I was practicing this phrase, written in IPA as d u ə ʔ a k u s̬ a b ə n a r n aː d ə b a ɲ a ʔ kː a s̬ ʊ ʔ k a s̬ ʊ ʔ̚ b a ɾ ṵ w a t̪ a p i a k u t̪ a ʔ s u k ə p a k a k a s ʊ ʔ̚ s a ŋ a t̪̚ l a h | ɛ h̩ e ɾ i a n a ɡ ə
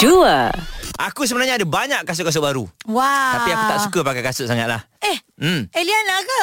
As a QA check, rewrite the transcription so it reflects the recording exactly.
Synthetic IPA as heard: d u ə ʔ a k u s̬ ə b ə n a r ɲ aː d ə b a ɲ a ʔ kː a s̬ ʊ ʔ k a s̬ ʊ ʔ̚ b a ɾ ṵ w a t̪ a p i a k u t̪ a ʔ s u k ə p a k a k a s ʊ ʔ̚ s a ŋ a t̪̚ l a h | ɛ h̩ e l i a n a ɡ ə